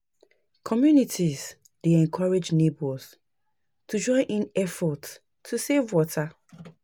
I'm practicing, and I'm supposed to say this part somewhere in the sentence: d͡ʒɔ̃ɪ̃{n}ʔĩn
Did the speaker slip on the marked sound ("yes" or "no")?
no